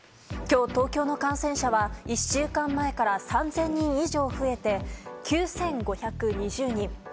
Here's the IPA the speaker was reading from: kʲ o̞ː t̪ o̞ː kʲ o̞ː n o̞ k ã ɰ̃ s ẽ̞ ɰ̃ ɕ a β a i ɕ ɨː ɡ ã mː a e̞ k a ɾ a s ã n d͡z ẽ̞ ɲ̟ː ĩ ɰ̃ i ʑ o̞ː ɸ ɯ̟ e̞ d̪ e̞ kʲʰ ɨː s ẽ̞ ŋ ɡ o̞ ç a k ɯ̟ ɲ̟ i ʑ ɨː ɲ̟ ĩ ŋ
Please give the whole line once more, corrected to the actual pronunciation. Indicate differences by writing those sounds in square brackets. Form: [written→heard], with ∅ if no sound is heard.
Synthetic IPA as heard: kʲ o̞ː t̪ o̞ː kʲ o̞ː n o̞ k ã ɰ̃ s ẽ̞ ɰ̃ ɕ a β a i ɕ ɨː [ɡ→k] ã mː a e̞ k a ɾ a s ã n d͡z ẽ̞ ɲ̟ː ĩ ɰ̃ i ʑ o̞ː ɸ ɯ̟ e̞ [d̪→t̪] e̞ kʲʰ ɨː s ẽ̞ ŋ ɡ o̞ ç a k ɯ̟ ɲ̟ i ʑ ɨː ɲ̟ ĩ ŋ